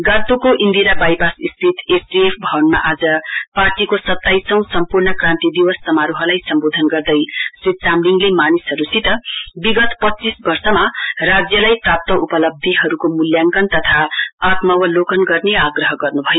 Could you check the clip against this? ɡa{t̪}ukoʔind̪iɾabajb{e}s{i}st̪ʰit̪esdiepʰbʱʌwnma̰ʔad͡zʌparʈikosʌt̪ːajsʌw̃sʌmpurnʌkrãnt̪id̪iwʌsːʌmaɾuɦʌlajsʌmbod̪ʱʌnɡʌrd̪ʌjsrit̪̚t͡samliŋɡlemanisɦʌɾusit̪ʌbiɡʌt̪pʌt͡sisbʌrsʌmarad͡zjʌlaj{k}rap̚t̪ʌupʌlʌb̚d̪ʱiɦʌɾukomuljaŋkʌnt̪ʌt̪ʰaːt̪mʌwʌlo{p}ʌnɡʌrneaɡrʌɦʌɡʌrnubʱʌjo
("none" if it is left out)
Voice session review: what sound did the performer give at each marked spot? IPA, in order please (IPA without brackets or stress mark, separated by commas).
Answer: t̪, a, i, p, k